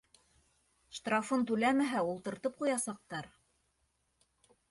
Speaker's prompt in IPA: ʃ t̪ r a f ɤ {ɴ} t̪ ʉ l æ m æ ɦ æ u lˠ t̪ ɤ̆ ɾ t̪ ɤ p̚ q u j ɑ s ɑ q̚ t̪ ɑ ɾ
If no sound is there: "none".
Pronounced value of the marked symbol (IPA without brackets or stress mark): n